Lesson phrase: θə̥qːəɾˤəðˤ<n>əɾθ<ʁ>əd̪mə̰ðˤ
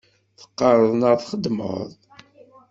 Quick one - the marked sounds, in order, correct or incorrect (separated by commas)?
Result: correct, incorrect